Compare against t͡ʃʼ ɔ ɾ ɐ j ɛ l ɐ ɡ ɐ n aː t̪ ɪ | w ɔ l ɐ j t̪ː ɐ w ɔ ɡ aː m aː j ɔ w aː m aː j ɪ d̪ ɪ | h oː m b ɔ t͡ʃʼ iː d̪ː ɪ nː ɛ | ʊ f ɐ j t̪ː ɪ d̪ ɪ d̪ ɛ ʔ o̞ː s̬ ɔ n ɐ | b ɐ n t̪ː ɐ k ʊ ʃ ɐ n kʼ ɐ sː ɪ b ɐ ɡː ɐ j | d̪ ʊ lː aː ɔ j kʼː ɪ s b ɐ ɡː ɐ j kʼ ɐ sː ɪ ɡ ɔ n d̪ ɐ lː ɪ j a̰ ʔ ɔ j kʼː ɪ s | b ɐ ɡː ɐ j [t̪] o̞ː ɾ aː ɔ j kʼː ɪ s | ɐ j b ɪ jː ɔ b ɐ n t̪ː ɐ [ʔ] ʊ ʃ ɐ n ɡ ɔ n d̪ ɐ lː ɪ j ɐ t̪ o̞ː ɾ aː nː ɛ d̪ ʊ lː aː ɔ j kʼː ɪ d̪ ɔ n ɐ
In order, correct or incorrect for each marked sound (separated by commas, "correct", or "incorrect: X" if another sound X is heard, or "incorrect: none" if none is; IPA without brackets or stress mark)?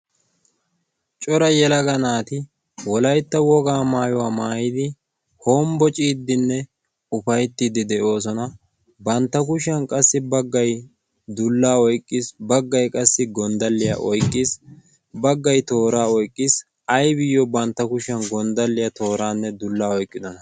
correct, incorrect: k